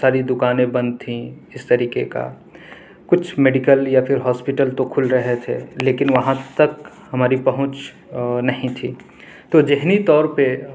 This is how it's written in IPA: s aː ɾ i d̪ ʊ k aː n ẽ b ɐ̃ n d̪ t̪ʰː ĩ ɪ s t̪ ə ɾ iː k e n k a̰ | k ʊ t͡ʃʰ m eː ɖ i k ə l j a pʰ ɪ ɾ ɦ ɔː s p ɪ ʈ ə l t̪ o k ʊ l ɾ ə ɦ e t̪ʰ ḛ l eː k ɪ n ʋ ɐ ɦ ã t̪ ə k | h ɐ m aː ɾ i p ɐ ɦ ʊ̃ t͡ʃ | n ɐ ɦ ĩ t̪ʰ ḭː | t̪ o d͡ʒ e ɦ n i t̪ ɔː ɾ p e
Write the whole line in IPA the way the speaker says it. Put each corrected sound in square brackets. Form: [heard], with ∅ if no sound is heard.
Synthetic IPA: s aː ɾ i d̪ ʊ k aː n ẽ b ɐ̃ n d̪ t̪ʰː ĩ ɪ s t̪ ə ɾ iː k e [∅] k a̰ | k ʊ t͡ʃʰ m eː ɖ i k ə l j a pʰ ɪ ɾ ɦ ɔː s p ɪ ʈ ə l t̪ o [kʰ] ʊ l ɾ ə ɦ e t̪ʰ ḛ l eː k ɪ n ʋ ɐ ɦ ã t̪ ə k | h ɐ m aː ɾ i p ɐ ɦ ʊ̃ t͡ʃ | n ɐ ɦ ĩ t̪ʰ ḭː | t̪ o d͡ʒ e ɦ n i t̪ ɔː ɾ p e